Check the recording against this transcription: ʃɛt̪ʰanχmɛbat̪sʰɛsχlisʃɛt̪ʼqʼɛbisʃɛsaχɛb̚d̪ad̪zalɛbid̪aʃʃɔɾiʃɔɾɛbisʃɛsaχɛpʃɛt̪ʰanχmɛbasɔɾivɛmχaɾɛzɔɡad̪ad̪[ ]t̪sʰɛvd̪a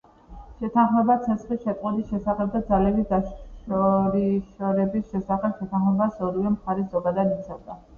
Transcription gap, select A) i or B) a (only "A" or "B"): A